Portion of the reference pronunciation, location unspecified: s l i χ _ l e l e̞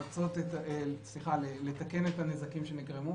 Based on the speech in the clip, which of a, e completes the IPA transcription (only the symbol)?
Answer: a